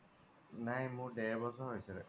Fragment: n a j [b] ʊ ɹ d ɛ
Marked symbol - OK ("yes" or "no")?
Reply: no